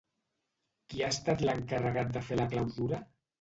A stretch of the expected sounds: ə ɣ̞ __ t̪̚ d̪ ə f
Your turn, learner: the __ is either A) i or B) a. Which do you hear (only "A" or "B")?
B